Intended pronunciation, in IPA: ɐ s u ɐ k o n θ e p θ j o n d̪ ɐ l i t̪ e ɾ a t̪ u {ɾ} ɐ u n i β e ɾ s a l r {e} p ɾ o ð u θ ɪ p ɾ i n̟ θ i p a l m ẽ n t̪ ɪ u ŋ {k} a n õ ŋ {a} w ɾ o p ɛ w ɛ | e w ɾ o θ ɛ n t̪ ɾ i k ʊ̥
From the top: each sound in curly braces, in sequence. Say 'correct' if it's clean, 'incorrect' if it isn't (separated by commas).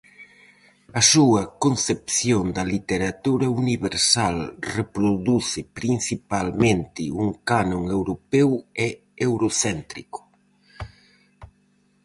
correct, correct, correct, incorrect